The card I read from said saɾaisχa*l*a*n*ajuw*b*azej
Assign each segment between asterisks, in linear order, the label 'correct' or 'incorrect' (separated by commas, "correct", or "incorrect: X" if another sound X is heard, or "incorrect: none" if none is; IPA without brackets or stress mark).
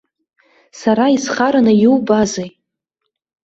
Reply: incorrect: ɾ, correct, correct